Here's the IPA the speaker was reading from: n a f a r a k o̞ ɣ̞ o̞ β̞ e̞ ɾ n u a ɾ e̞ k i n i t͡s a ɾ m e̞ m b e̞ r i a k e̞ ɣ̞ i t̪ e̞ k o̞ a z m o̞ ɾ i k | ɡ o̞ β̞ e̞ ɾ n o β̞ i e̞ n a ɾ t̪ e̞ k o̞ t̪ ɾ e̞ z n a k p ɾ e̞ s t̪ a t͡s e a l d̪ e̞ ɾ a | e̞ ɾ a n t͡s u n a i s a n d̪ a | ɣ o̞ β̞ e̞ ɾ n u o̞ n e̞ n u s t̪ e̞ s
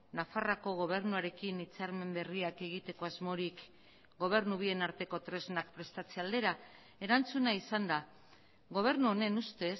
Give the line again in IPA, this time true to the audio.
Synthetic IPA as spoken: n a f a r a k o̞ ɣ̞ o̞ β̞ e̞ ɾ n u a ɾ e̞ k i n i t͡s a ɾ m e̞ m b e̞ r i a k e̞ ɣ̞ i t̪ e̞ k o̞ a z m o̞ ɾ i k | ɡ o̞ β̞ e̞ ɾ n u β̞ i e̞ n a ɾ t̪ e̞ k o̞ t̪ ɾ e̞ z n a k p ɾ e̞ s t̪ a t͡s e a l d̪ e̞ ɾ a | e̞ ɾ a n t͡s u n a i s a n d̪ a | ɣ o̞ β̞ e̞ ɾ n u o̞ n e̞ n u s t̪ e̞ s